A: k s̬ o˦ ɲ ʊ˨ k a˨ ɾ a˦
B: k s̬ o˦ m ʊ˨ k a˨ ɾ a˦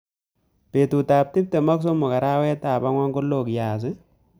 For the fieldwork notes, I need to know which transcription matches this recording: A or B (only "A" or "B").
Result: B